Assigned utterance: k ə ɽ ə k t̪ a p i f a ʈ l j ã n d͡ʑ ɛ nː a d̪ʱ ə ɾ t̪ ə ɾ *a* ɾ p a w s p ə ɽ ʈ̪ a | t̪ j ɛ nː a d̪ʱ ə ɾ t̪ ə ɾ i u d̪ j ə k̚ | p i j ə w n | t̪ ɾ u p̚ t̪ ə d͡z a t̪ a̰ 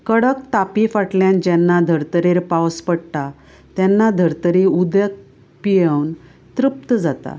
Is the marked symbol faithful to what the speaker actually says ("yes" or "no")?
no